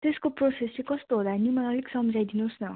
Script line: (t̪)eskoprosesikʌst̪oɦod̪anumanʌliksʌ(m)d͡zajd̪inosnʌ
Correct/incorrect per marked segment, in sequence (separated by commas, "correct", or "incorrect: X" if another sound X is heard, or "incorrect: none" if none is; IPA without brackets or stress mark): correct, correct